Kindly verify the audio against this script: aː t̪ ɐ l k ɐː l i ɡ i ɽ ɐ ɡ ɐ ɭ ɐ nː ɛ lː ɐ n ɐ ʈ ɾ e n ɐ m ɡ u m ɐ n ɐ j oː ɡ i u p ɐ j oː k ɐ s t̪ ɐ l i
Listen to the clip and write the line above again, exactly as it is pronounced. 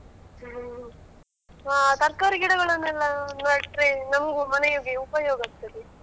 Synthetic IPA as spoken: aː t̪ ɐ ɾ k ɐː ɾ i ɡ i ɽ ɐ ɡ ɐ ɭ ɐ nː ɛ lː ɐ n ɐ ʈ ɾ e n ɐ m ɡ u m ɐ n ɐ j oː ɡ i u p ɐ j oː ɡ ɐ s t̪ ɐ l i